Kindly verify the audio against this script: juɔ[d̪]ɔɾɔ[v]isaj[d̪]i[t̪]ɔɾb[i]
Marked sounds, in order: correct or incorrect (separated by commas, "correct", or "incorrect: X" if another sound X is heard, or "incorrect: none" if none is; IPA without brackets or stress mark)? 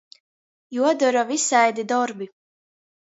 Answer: correct, correct, correct, incorrect: d̪, correct